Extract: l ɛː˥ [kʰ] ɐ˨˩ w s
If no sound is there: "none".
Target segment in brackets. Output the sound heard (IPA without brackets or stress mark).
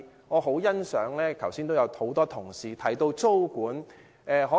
kʰ